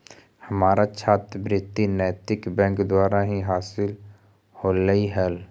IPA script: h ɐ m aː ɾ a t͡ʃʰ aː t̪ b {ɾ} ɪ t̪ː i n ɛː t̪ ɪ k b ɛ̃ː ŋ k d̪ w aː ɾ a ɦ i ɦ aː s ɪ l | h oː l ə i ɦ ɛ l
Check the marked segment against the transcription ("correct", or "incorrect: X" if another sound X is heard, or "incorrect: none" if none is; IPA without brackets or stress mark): correct